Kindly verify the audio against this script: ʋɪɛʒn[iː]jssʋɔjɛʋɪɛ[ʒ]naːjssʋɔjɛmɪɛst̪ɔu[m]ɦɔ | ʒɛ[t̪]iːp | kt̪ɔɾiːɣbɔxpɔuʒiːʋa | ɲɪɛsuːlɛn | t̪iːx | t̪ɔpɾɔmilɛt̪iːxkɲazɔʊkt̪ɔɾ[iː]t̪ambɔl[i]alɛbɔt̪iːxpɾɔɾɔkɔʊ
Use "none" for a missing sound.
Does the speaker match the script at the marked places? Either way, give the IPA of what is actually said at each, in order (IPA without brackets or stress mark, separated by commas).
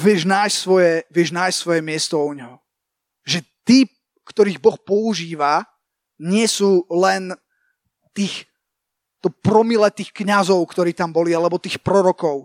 aː, ʒ, ɲ, t̪, iː, i